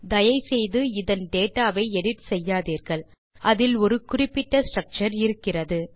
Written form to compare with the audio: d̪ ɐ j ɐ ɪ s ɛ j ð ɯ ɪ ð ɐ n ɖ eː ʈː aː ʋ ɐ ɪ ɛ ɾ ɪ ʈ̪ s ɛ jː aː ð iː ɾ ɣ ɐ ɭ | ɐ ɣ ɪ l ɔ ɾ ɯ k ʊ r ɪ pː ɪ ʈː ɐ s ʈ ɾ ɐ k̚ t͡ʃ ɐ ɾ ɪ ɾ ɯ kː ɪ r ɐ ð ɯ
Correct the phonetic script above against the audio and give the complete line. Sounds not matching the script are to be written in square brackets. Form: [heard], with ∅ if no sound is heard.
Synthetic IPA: d̪ ɐ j ɐ ɪ s ɛ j ð ɯ ɪ ð ɐ n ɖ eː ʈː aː ʋ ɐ ɪ ɛ [ɽ] ɪ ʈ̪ s ɛ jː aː ð iː ɾ ɣ ɐ ɭ | ɐ [ð] ɪ l ɔ ɾ ɯ k ʊ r ɪ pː ɪ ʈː ɐ s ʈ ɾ ɐ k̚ t͡ʃ ɐ ɾ ɪ ɾ ɯ kː ɪ r ɐ ð ɯ